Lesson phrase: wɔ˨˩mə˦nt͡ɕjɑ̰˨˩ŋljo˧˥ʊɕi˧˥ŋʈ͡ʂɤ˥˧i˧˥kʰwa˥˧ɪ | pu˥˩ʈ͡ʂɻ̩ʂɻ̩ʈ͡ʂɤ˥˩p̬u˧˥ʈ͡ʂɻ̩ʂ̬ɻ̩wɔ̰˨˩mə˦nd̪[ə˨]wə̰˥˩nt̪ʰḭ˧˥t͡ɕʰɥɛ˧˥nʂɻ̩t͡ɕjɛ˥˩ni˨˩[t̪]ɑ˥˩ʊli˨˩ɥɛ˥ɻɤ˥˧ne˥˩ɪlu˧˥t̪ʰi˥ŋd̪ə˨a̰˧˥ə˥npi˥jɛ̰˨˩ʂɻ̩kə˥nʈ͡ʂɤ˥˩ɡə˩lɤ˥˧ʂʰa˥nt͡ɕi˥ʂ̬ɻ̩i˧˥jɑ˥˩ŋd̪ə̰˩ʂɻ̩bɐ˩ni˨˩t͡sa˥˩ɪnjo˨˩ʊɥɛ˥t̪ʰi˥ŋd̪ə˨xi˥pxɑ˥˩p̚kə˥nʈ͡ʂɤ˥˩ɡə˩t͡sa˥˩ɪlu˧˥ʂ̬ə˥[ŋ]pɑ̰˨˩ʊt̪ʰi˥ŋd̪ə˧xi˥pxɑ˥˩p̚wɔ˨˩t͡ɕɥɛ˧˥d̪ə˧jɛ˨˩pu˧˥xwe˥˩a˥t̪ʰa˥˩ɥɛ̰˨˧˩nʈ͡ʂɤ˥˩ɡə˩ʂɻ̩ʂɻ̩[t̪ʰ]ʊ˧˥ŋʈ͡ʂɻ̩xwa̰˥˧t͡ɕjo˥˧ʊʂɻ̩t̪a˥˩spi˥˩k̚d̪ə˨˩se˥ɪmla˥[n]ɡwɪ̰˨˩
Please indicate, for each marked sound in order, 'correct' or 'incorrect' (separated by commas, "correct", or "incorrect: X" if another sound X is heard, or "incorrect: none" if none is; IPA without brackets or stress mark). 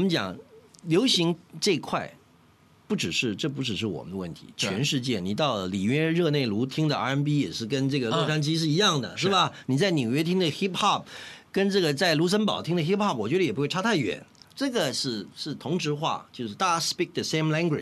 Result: incorrect: ə˦, correct, incorrect: n, correct, incorrect: ŋ